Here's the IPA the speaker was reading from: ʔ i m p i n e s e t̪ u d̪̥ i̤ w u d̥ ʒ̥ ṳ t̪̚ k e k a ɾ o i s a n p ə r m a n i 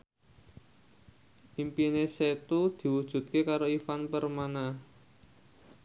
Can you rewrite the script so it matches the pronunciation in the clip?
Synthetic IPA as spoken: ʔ i m p i n e s e t̪ u d̪̥ i̤ w u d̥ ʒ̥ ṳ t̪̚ k e k a ɾ o i f a n p ə r m a n a